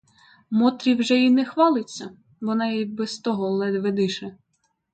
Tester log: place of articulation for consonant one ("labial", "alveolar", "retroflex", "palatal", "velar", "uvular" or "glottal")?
labial